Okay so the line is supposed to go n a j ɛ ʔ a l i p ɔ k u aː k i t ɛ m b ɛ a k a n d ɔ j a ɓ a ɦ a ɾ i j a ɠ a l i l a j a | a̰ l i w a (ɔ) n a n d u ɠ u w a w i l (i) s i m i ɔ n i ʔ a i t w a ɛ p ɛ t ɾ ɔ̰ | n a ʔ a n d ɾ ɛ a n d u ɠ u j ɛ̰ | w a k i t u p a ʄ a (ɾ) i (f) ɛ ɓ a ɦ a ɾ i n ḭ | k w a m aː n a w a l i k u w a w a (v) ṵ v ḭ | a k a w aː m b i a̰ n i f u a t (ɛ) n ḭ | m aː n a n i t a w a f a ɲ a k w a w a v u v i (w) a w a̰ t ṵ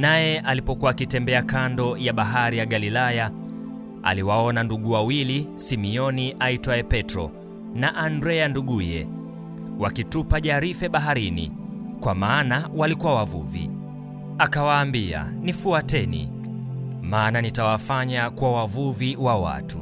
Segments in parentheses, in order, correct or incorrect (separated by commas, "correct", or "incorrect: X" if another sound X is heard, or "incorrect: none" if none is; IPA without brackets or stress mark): correct, correct, correct, correct, correct, correct, correct